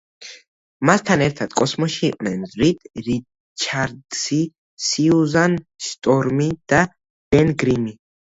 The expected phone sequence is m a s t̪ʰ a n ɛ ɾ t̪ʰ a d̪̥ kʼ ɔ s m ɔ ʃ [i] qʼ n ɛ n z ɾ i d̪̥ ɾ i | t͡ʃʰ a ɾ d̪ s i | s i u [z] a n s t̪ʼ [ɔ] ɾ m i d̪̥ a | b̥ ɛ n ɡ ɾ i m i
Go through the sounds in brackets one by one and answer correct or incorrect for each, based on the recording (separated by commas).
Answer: incorrect, correct, correct